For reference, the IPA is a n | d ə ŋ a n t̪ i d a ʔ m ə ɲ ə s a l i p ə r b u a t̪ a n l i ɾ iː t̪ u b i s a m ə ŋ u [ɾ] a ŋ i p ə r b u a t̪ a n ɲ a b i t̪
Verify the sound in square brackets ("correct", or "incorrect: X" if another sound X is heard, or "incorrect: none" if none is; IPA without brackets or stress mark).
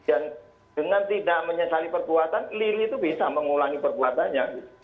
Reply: incorrect: l